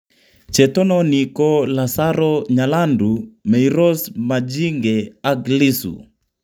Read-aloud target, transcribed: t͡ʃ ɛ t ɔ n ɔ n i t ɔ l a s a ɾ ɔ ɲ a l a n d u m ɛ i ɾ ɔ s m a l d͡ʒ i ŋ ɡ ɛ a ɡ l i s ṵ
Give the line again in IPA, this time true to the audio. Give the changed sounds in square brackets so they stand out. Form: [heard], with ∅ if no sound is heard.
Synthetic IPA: t͡ʃ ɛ t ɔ n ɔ n i [k] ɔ l a s a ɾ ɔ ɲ a l a n d u m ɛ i ɾ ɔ s m a [∅] d͡ʒ i ŋ ɡ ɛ a ɡ l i s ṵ